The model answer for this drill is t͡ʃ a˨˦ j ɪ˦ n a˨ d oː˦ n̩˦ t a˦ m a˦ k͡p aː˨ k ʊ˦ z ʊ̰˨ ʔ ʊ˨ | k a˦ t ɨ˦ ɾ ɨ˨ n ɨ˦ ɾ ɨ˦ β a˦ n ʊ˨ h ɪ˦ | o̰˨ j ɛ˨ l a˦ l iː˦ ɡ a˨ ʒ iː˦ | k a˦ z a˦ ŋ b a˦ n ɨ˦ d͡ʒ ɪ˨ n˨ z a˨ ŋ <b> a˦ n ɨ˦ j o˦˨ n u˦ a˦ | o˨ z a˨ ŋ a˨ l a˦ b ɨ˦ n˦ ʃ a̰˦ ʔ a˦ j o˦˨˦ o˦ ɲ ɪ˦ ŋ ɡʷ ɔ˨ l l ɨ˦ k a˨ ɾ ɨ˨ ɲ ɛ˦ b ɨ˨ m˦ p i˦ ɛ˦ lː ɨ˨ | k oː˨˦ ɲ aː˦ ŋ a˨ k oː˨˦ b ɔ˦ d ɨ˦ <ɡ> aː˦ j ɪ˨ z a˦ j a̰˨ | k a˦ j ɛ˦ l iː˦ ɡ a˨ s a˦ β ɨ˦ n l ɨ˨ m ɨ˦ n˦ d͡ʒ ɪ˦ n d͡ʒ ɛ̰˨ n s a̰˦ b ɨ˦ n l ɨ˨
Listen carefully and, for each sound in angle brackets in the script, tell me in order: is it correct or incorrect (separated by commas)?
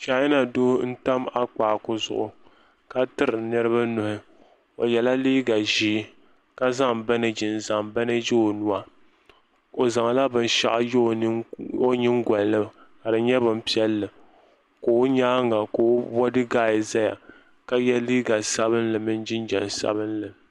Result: correct, correct